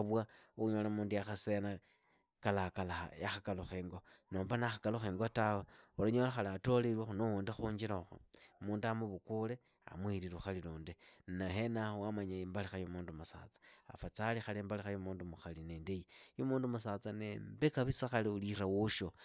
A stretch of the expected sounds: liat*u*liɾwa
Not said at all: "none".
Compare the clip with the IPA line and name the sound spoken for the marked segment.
o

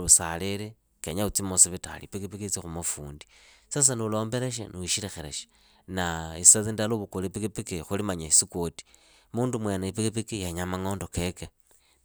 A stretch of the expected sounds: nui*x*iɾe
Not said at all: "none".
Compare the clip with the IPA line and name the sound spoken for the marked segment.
ʃ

